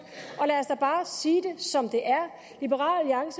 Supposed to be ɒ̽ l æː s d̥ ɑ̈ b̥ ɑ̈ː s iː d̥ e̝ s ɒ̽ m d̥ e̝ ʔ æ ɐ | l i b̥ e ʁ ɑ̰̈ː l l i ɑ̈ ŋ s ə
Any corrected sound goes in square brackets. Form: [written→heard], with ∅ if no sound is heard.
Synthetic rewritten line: ɒ̽ l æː s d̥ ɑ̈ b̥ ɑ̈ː s iː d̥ e̝ s ɒ̽ m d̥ e̝ ʔ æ ɐ | l i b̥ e ʁ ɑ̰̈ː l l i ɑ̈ ŋ s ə